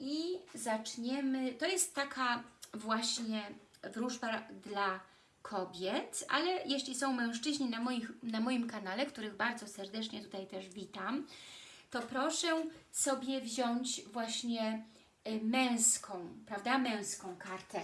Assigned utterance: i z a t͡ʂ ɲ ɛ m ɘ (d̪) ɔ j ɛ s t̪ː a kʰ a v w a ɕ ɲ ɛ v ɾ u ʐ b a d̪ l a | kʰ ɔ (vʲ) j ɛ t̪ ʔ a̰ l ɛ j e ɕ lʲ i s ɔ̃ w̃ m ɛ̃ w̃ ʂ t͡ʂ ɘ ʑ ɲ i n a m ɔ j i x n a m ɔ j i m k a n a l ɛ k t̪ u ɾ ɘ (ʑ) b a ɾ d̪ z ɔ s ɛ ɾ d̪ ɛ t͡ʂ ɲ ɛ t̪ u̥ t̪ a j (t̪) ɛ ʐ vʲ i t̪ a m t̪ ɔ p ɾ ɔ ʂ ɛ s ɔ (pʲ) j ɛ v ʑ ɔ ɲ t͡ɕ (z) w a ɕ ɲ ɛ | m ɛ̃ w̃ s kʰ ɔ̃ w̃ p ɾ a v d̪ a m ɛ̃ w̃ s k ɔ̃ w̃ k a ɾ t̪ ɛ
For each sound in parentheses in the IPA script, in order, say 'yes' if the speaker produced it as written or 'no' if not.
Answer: no, no, no, yes, no, no

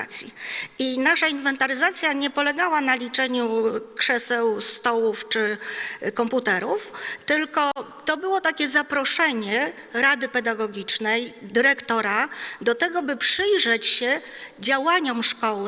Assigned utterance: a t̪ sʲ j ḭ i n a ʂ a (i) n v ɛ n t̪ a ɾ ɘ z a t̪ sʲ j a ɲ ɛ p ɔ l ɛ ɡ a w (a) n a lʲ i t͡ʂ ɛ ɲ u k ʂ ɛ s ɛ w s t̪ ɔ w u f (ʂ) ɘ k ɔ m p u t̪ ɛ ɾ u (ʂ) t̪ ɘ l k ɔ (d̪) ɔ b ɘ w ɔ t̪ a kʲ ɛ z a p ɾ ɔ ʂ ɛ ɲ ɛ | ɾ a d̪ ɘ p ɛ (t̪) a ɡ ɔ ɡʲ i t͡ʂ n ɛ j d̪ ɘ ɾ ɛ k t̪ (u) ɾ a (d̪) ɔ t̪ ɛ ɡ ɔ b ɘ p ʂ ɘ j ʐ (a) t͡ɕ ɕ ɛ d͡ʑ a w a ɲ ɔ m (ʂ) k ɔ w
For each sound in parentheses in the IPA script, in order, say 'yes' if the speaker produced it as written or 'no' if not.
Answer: yes, yes, no, no, no, no, no, yes, no, yes

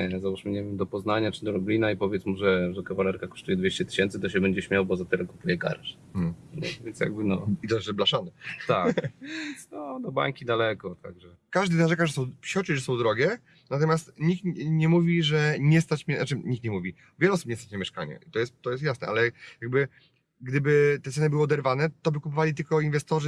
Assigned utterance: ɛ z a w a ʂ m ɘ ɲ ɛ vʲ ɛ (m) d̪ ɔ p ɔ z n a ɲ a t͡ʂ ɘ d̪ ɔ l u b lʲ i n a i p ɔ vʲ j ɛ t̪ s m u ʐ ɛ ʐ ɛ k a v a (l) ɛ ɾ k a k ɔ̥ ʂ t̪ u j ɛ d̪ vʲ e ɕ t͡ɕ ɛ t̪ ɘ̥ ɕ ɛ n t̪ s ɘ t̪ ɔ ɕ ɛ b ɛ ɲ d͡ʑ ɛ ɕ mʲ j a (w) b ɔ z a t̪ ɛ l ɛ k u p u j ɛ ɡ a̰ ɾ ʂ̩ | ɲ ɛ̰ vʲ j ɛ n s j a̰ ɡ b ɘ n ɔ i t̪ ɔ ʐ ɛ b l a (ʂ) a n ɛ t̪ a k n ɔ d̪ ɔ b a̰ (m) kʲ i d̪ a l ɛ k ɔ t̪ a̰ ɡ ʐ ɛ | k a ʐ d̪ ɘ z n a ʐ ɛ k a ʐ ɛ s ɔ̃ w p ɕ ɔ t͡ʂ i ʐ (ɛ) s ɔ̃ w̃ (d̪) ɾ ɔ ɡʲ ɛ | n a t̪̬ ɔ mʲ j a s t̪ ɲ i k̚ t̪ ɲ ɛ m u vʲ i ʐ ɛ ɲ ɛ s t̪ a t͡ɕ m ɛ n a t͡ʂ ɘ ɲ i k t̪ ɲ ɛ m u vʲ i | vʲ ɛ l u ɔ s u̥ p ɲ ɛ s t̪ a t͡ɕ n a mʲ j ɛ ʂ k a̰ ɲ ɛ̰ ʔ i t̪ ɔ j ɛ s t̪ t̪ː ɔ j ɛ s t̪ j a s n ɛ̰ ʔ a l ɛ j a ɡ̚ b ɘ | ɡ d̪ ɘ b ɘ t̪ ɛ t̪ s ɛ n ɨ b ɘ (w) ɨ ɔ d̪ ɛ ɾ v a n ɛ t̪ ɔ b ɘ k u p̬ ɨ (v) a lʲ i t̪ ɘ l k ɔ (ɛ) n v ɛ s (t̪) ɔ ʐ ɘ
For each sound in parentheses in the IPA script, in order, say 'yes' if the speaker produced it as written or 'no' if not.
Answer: yes, yes, yes, yes, no, yes, yes, yes, yes, no, yes

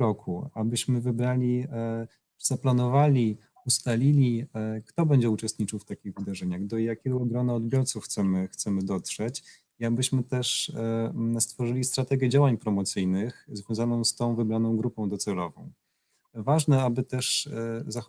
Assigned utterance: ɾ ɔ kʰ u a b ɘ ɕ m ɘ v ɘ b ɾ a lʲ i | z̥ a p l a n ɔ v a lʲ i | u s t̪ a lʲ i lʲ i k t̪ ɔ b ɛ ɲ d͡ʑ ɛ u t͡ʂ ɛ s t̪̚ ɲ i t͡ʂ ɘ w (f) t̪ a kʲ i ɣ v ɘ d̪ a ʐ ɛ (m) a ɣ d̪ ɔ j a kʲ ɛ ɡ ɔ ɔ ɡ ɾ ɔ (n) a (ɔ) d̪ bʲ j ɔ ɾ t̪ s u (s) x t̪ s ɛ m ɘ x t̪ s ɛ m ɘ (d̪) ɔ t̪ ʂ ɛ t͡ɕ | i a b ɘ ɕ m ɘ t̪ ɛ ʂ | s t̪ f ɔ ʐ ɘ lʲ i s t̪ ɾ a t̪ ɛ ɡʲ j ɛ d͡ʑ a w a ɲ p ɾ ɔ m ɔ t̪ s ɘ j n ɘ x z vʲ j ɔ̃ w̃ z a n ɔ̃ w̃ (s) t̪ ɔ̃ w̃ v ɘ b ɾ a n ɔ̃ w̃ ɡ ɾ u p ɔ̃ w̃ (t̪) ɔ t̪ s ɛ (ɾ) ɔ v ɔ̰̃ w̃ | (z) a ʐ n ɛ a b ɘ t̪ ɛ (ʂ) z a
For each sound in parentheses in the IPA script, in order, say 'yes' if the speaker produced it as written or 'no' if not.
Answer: yes, no, yes, yes, no, yes, yes, no, no, no, yes

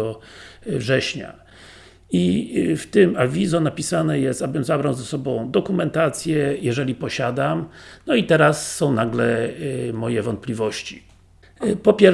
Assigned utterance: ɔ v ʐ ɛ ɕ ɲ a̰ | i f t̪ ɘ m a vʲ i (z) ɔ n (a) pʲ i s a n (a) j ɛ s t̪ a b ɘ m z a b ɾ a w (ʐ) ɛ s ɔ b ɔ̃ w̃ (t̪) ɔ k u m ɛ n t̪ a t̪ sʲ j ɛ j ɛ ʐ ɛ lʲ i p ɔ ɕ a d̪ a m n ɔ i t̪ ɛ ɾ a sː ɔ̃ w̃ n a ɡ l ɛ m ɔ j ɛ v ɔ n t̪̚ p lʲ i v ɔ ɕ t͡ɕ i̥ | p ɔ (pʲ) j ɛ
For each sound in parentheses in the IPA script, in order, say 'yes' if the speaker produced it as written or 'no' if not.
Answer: yes, yes, no, no, no, yes

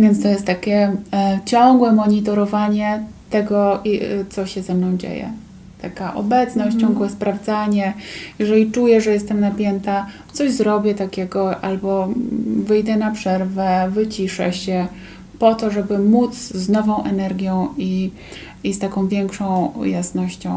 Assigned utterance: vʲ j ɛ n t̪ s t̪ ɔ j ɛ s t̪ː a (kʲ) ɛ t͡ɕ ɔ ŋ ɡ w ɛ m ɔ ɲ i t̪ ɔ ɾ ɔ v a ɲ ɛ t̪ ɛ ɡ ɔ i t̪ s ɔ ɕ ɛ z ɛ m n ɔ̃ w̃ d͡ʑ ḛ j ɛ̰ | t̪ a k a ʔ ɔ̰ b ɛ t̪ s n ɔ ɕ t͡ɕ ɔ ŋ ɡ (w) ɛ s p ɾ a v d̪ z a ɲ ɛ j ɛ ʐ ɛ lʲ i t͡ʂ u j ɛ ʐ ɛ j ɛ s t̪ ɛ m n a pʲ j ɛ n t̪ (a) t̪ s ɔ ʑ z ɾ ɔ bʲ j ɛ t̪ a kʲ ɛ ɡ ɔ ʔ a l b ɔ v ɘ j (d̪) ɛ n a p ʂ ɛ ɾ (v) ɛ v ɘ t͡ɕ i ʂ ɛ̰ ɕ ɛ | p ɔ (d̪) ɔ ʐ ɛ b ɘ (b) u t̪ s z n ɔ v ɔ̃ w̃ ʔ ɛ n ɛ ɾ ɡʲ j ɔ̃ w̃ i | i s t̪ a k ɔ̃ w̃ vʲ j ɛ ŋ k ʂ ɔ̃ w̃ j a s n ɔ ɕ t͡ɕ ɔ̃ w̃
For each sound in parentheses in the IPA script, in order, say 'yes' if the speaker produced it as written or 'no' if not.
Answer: yes, yes, yes, yes, yes, no, no

